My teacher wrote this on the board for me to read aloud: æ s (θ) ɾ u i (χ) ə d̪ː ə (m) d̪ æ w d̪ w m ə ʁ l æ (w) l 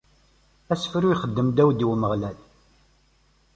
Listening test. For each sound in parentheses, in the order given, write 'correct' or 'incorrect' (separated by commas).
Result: incorrect, correct, correct, incorrect